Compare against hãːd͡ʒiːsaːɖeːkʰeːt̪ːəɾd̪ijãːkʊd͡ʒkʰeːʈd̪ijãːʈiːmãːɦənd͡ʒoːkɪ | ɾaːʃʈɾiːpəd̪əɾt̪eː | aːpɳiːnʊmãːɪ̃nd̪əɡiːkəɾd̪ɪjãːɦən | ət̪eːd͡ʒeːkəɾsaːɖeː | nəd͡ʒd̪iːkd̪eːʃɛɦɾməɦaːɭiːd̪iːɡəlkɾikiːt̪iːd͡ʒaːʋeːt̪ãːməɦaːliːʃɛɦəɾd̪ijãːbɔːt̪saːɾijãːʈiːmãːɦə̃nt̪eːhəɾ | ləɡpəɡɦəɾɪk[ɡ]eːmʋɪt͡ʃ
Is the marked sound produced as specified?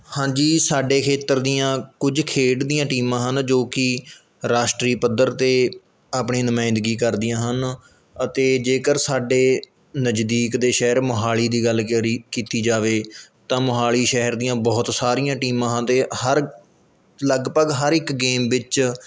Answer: yes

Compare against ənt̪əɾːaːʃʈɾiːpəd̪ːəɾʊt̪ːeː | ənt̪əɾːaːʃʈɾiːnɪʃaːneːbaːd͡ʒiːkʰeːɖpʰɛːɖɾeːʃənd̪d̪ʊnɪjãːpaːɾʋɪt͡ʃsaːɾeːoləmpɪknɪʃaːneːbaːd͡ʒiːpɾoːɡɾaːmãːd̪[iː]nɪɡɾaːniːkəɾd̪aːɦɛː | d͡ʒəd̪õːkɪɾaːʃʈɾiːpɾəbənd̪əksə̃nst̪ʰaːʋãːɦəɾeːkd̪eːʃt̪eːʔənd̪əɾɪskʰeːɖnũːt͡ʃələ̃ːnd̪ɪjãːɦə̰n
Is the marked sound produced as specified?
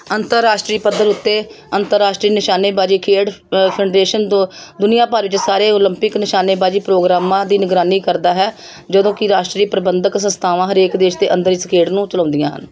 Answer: yes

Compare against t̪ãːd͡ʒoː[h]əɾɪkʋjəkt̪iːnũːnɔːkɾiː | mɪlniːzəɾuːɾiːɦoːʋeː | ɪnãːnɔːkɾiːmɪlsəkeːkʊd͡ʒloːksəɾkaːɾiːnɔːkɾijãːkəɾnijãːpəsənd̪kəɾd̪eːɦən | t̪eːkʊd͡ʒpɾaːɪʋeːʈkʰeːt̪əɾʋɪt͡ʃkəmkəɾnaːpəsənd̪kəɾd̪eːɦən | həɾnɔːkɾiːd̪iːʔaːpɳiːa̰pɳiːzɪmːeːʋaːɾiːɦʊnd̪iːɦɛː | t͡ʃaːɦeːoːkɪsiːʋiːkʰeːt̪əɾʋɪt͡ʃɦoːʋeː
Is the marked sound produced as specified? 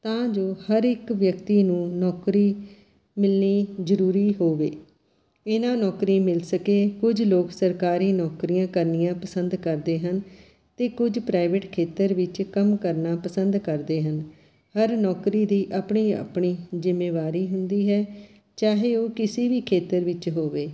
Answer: yes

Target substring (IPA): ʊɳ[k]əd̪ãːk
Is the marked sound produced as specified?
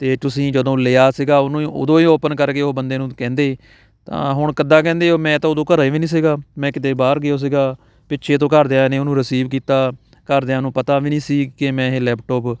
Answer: yes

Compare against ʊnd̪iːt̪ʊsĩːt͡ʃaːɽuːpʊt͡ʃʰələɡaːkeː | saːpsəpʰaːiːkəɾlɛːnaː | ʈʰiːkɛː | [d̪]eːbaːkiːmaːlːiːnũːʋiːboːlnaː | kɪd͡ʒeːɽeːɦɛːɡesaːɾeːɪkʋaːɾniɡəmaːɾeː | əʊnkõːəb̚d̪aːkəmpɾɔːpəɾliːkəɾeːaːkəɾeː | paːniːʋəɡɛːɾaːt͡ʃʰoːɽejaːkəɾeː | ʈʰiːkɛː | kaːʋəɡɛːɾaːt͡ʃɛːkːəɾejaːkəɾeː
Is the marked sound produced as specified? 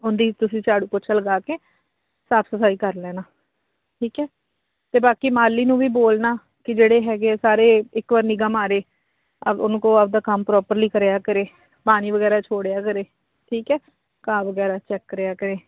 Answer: no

